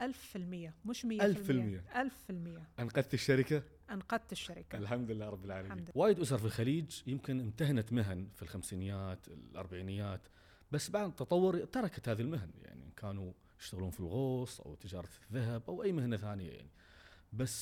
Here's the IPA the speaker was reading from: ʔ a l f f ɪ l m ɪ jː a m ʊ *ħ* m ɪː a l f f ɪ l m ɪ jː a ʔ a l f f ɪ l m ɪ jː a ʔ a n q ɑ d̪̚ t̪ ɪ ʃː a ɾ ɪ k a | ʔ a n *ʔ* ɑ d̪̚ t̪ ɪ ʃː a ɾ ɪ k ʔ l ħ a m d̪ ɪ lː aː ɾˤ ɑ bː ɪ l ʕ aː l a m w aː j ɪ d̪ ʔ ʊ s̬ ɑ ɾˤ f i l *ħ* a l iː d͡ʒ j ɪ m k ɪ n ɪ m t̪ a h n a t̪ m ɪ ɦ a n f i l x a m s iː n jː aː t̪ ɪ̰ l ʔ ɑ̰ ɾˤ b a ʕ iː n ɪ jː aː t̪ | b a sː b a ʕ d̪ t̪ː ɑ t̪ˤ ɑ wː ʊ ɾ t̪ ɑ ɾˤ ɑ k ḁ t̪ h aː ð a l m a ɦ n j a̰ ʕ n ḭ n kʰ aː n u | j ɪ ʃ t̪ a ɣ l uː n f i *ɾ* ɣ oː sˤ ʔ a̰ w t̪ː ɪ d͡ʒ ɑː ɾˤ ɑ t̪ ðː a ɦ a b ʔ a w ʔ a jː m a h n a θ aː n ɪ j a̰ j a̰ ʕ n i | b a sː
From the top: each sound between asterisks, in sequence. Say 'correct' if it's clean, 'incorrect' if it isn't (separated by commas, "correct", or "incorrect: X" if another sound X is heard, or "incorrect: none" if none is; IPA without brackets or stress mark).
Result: incorrect: ʃ, incorrect: q, incorrect: x, incorrect: l